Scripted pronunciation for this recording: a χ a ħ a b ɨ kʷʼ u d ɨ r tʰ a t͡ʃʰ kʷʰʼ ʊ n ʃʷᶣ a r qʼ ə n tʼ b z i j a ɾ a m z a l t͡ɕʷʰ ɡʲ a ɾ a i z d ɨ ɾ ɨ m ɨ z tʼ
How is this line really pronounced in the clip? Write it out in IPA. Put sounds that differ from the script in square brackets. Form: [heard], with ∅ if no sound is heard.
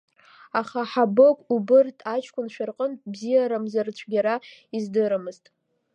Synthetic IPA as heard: a χ a ħ a b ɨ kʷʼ u [b] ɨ r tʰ a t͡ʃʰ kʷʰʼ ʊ n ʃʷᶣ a r qʼ ə n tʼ b z i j a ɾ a m z a [r] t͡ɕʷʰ ɡʲ a ɾ a i z d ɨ ɾ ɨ m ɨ z tʼ